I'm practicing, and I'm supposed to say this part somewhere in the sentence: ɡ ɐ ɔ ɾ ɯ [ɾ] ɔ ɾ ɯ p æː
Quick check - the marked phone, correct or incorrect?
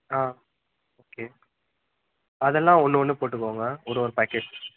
incorrect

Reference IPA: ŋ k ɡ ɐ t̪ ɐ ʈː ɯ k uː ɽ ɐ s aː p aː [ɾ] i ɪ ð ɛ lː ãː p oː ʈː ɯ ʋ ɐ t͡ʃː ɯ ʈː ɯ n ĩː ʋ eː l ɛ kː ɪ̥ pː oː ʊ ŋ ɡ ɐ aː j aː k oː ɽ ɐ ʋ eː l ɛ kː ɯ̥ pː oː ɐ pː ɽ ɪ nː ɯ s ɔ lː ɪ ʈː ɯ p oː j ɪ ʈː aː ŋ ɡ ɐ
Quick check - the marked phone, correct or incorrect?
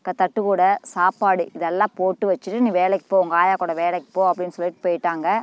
incorrect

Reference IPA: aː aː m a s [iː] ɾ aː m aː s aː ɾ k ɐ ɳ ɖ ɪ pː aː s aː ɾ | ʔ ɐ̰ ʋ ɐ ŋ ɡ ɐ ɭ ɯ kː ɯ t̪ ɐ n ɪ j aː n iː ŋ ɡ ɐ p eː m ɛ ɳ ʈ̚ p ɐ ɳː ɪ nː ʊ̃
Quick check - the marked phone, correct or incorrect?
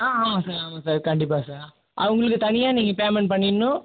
incorrect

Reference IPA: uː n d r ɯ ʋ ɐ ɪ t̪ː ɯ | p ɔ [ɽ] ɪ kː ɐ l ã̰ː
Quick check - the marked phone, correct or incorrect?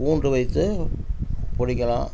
correct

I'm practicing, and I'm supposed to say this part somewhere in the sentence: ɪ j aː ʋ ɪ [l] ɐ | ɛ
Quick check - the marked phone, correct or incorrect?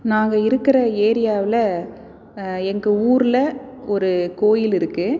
correct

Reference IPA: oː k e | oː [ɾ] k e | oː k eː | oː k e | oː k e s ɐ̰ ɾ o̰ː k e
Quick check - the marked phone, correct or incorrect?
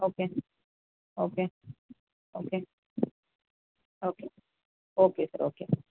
incorrect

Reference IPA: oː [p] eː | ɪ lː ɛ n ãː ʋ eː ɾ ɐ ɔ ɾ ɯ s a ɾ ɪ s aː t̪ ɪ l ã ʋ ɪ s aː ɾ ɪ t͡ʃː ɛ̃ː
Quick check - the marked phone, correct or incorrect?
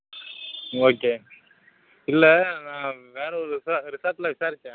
incorrect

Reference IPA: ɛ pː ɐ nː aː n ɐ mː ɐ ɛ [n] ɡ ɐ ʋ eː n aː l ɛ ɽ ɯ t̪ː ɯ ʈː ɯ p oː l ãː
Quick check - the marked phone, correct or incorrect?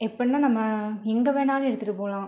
incorrect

